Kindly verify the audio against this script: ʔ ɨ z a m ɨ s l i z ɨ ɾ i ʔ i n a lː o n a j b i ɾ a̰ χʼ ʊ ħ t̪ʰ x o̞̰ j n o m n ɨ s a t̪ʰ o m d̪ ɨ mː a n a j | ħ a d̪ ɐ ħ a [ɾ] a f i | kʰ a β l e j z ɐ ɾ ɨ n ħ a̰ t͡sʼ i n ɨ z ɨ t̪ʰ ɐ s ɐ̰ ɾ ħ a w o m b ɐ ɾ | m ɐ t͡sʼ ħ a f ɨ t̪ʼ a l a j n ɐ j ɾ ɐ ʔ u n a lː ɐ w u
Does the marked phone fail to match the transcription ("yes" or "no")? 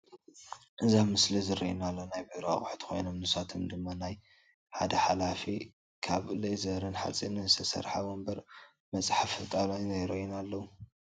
yes